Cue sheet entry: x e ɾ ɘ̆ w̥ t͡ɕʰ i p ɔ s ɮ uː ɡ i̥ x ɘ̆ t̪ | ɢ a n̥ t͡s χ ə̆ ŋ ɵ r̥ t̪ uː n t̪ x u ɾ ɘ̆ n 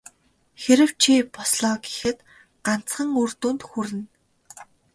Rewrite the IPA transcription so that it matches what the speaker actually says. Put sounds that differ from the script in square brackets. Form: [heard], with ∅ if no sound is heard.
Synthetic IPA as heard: x e ɾ ɘ̆ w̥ t͡ɕʰ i p ɔ s ɮ [ɔː] ɡ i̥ x ɘ̆ t̪ | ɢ a n̥ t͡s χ ə̆ ŋ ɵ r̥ t̪ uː n t̪ x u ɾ ɘ̆ n